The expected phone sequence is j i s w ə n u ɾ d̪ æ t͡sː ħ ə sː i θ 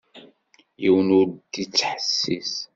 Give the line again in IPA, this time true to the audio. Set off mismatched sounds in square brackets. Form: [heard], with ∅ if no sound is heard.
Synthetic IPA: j i [∅] w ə n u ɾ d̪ [i] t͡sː ħ ə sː i [s]